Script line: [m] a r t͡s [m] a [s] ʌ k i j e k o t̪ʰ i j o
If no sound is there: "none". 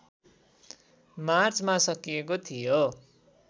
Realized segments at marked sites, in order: m, m, s

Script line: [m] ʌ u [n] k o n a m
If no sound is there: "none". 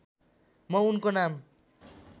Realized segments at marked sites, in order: m, n

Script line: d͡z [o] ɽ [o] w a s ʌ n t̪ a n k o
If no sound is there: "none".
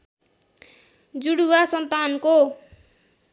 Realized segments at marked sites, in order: u, u

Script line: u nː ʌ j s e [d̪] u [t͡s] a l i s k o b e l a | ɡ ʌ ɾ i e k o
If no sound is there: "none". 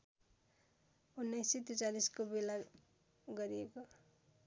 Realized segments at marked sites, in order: t̪, t͡s

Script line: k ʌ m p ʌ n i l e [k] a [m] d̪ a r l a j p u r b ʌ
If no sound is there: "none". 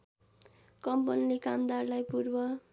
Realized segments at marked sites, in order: k, m

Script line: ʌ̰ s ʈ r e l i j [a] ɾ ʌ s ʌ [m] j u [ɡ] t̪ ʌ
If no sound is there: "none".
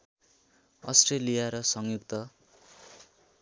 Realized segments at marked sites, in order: a, ŋ, k

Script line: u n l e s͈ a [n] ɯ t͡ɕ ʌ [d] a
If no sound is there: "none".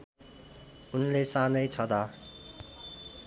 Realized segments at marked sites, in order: n, d

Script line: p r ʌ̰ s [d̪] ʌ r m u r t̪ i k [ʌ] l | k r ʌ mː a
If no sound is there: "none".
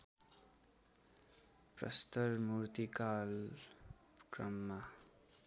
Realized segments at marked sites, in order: t̪, a

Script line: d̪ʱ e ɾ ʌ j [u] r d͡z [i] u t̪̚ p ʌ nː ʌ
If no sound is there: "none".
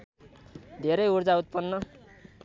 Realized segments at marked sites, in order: u, a

